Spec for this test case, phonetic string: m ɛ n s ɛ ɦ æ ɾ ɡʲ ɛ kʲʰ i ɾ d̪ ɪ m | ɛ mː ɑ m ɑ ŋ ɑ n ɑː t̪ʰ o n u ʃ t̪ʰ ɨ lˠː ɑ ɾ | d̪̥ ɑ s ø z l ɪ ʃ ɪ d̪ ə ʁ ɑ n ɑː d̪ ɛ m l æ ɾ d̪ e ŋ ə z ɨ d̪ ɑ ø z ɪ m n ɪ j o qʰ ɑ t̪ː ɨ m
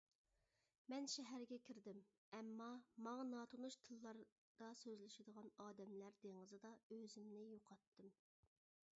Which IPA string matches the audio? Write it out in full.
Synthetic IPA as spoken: m ɛ n ʃ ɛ ɦ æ ɾ ɡʲ ɛ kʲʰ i ɾ d̪ ɪ m | ɛ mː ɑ m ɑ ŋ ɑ n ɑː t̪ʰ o n u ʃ t̪ʰ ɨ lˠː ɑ ɾ | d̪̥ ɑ s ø z l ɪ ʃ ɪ d̪ ə ʁ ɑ n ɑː d̪ ɛ m l æ ɾ d̪ e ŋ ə z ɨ d̪ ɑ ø z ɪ m n ɪ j o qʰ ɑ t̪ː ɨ m